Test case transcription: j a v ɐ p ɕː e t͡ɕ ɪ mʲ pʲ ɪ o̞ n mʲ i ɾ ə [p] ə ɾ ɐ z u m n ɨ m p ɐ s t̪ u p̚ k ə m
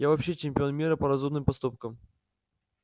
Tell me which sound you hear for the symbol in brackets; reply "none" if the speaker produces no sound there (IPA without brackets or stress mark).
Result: p